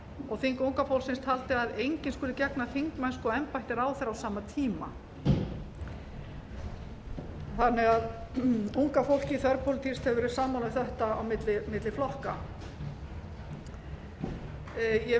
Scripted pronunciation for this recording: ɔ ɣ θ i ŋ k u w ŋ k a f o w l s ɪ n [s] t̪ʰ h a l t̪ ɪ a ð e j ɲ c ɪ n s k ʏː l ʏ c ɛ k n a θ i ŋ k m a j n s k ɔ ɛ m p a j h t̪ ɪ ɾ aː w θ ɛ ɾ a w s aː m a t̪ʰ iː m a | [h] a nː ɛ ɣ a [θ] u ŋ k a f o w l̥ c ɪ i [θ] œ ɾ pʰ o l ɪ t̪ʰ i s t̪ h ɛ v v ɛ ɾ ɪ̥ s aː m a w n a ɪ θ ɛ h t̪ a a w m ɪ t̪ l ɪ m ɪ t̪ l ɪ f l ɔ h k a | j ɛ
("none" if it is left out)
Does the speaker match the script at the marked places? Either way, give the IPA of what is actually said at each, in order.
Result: s, θ, ð, θ

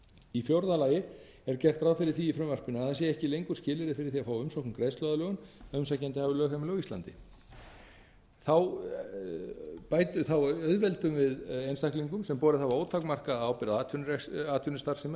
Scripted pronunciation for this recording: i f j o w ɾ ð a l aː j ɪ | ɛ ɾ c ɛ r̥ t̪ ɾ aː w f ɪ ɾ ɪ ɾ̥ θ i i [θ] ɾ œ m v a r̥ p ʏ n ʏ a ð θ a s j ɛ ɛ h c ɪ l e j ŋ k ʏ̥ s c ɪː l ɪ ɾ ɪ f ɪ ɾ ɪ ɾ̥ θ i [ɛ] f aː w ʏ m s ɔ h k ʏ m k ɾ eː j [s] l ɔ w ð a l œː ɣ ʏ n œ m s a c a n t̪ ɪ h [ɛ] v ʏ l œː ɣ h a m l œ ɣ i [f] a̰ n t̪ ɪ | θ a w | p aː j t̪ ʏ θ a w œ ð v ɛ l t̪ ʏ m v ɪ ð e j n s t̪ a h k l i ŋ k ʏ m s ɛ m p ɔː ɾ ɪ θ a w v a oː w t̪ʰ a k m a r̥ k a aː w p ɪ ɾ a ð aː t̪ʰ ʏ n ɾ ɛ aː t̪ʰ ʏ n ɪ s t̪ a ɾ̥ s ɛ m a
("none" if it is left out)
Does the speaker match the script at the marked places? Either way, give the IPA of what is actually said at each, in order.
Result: f, a, s, a, s

